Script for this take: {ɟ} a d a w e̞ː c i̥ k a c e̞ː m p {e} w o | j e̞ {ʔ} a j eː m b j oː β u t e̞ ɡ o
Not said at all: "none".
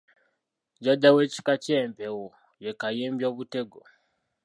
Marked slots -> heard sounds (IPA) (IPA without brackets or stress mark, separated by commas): ɟ, e, k